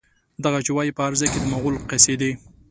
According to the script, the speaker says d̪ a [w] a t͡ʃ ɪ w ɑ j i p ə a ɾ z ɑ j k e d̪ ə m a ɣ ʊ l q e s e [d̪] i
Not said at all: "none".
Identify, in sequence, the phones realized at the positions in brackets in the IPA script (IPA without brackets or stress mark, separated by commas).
ɣ, d̪